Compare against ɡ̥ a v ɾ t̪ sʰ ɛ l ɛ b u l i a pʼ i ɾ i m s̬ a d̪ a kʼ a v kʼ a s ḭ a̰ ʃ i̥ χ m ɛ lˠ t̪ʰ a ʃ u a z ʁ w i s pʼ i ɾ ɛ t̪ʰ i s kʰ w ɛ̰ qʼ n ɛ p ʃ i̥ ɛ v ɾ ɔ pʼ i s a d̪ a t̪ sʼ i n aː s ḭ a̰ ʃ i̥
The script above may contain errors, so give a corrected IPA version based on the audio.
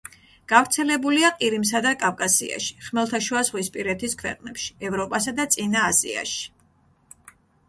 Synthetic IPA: ɡ̥ a v ɾ t̪ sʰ ɛ l ɛ b u l i a qʼ i ɾ i m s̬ a d̪ a kʼ a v kʼ a s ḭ a̰ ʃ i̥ χ m ɛ lˠ t̪ʰ a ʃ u a z ʁ w i s pʼ i ɾ ɛ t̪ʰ i s kʰ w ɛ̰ qʼ n ɛ p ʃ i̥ ɛ v ɾ ɔ pʼ a s a d̪ a t̪ sʼ i n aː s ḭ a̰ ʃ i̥